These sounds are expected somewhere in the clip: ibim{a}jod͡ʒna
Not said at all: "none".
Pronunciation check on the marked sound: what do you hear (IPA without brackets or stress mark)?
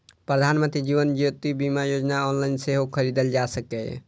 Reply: a